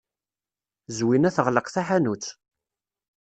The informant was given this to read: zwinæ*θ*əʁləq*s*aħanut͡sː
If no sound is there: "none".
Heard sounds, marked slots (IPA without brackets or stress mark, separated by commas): θ, θ